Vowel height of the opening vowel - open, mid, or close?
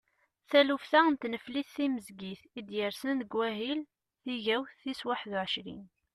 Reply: open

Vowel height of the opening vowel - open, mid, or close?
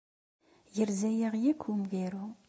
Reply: mid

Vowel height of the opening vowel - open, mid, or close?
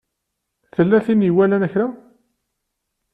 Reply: mid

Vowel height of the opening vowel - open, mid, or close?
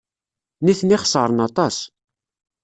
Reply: close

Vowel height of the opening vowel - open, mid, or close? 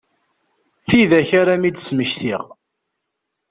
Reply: close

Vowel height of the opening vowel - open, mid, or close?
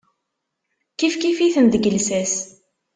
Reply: close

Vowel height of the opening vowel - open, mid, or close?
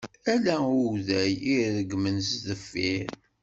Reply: open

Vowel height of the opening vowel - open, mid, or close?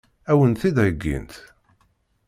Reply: open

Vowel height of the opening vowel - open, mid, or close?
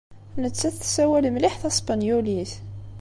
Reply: mid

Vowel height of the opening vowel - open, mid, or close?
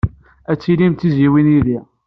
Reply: open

